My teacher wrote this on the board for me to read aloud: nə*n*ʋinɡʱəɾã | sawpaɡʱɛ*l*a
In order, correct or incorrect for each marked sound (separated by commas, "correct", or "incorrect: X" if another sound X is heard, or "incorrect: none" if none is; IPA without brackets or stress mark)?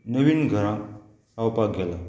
incorrect: none, correct